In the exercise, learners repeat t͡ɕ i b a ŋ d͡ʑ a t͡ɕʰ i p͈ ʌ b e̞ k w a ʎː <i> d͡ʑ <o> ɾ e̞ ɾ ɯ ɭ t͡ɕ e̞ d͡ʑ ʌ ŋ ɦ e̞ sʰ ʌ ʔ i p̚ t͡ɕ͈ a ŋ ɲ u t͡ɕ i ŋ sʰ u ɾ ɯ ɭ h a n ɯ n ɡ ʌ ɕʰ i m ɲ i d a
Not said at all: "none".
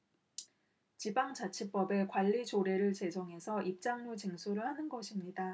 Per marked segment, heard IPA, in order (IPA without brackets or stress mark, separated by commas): i, o